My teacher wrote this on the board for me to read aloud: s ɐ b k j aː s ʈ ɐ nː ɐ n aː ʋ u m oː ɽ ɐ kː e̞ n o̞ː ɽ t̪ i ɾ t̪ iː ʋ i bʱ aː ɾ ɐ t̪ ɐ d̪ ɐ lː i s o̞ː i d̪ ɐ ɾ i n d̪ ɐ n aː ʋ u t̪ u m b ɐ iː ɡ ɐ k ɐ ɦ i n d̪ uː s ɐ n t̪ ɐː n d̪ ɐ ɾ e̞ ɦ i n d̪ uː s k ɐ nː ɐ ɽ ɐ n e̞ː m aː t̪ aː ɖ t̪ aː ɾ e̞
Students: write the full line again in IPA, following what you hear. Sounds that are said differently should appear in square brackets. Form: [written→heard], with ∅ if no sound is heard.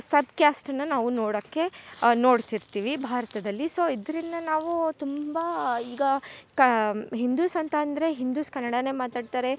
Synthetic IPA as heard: s ɐ b k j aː s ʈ ɐ nː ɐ n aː ʋ u [m→n] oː ɽ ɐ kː e̞ n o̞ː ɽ t̪ i ɾ t̪ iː ʋ i bʱ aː ɾ ɐ t̪ ɐ d̪ ɐ lː i s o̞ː i d̪ ɐ ɾ i n d̪ ɐ n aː ʋ u t̪ u m b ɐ iː ɡ ɐ k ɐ ɦ i n d̪ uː s ɐ n t̪ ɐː n d̪ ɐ ɾ e̞ ɦ i n d̪ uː s k ɐ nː ɐ ɽ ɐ n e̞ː m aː t̪ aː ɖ t̪ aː ɾ e̞

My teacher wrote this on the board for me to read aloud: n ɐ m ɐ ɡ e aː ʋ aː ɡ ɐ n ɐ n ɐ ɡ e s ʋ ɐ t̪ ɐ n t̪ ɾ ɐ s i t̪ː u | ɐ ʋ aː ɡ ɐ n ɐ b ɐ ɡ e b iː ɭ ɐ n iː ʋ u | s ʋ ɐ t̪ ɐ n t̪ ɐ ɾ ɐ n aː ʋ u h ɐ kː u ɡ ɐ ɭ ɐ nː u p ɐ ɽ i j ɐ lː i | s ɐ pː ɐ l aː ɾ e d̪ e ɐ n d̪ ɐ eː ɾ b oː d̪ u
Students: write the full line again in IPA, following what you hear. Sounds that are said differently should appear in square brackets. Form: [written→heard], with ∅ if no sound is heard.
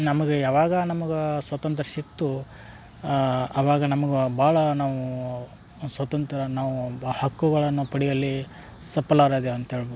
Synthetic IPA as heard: n ɐ m ɐ ɡ e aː ʋ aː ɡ ɐ n ɐ [n→m] ɐ ɡ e s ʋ ɐ t̪ ɐ n t̪ ɾ ɐ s i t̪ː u | ɐ ʋ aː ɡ ɐ n ɐ [b→m] ɐ ɡ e b [iː→aː] ɭ ɐ n [iː→aː] ʋ u | s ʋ ɐ t̪ ɐ n t̪ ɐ ɾ ɐ n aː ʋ u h ɐ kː u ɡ ɐ ɭ ɐ nː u p ɐ ɽ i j ɐ lː i | s ɐ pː ɐ l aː ɾ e d̪ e ɐ n [d̪→t̪] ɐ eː [ɾ→ɭ] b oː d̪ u

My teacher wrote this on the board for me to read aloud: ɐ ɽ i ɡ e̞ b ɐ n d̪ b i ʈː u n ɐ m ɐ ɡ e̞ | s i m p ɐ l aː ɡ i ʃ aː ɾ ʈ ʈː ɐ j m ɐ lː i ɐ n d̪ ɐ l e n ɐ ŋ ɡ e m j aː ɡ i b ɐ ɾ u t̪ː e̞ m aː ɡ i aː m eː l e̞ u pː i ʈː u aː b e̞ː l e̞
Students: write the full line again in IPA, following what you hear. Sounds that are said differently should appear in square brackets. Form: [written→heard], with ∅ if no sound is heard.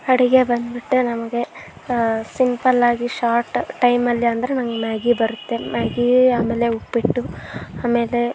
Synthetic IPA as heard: ɐ ɽ i ɡ e̞ b ɐ n d̪ b i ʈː u n ɐ m ɐ ɡ e̞ | s i m p ɐ l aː ɡ i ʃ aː ɾ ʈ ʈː ɐ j m ɐ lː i ɐ n d̪ ɐ [l→ɾ] e n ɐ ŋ ɡ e m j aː ɡ i b ɐ ɾ u t̪ː e̞ m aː ɡ i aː m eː l e̞ u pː i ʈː u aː [b→m] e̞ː l e̞

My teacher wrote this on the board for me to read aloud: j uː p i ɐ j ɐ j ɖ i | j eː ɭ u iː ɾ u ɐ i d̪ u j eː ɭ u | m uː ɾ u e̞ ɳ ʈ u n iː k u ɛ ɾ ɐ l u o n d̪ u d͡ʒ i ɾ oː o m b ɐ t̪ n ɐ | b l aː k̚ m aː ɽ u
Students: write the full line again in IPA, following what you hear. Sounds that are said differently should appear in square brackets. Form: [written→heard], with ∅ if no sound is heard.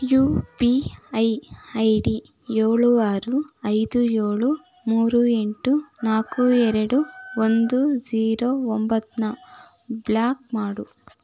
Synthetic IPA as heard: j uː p i ɐ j ɐ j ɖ i | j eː ɭ u [iː→aː] ɾ u ɐ [i→j] d̪ u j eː ɭ u | m uː ɾ u e̞ ɳ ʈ u n [iː→aː] k u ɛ ɾ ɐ [l→ɽ] u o n d̪ u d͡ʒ [i→iː] ɾ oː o m b ɐ t̪ n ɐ | b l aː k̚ m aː ɽ u

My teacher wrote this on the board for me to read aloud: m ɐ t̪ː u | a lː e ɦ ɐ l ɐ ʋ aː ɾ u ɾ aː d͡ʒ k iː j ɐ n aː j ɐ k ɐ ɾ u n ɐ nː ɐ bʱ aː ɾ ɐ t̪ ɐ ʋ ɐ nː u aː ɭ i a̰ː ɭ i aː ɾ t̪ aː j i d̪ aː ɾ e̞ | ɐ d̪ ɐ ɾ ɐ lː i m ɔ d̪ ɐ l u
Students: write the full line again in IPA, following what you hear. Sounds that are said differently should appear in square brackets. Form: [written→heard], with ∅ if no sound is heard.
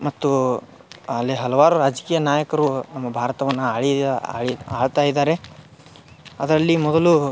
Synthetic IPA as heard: m ɐ t̪ː u | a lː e ɦ ɐ l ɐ ʋ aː ɾ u ɾ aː d͡ʒ k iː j ɐ n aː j ɐ k ɐ ɾ u n ɐ [nː→mː] ɐ bʱ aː ɾ ɐ t̪ ɐ ʋ ɐ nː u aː ɭ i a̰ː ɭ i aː [ɾ→ɭ] t̪ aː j i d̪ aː ɾ e̞ | ɐ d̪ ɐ ɾ ɐ lː i m ɔ d̪ ɐ l u

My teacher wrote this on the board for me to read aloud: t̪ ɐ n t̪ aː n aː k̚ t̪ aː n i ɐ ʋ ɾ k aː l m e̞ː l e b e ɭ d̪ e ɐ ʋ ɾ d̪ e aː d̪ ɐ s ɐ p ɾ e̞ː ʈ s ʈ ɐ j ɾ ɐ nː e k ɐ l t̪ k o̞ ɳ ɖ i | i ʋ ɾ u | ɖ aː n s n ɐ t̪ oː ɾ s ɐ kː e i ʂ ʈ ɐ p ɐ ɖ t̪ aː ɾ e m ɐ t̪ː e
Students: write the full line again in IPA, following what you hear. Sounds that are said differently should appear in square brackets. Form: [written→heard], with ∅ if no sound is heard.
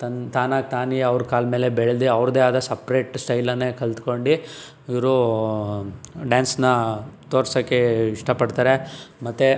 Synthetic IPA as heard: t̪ ɐ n t̪ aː n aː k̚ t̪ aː n i ɐ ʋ ɾ k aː l m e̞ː l e b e ɭ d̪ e ɐ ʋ ɾ d̪ e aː d̪ ɐ s ɐ p ɾ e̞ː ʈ s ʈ ɐ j [ɾ→l] ɐ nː e k ɐ l t̪ k o̞ ɳ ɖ i | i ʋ ɾ u | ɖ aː n s n ɐ t̪ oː ɾ s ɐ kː e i ʂ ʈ ɐ p ɐ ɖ t̪ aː ɾ e m ɐ t̪ː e

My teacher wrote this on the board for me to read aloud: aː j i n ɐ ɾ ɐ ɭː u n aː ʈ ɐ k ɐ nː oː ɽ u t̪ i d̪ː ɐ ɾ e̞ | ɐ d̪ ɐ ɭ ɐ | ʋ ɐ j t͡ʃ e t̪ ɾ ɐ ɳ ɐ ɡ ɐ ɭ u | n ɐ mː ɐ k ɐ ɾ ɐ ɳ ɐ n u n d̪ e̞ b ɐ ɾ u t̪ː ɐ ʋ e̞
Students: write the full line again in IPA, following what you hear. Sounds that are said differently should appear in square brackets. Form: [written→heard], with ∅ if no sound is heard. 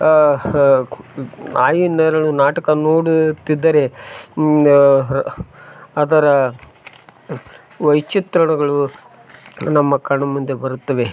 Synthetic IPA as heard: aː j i n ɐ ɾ ɐ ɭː u n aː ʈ ɐ k ɐ [nː→n] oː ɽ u t̪ i d̪ː ɐ ɾ e̞ | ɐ d̪ ɐ [ɭ→ɾ] ɐ | ʋ ɐ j t͡ʃ [e→i] t̪ ɾ ɐ ɳ ɐ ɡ ɐ ɭ u | n ɐ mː ɐ k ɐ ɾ ɐ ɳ ɐ [n→m] u n d̪ e̞ b ɐ ɾ u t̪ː ɐ ʋ e̞

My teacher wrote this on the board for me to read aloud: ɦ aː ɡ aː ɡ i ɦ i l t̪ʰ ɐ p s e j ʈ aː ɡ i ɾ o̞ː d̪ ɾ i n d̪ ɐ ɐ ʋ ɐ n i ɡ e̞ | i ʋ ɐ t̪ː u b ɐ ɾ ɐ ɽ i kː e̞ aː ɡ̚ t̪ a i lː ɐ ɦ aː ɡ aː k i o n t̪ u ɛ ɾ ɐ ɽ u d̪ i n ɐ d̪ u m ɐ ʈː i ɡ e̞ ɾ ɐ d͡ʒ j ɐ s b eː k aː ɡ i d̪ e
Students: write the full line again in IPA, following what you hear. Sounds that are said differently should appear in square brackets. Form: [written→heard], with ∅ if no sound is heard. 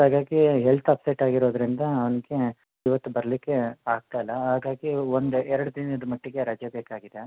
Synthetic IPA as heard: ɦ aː ɡ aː ɡ i ɦ [i→e] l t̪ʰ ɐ p s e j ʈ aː ɡ i ɾ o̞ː d̪ ɾ i n d̪ ɐ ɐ ʋ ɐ n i ɡ e̞ | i ʋ ɐ t̪ː u b ɐ ɾ ɐ [ɽ→l] i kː e̞ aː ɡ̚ t̪ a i lː ɐ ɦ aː ɡ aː [k→ɡ] i o n [t̪→d̪] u ɛ ɾ ɐ ɽ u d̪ i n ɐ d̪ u m ɐ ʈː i ɡ e̞ ɾ ɐ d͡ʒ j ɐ [s→∅] b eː k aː ɡ i d̪ e

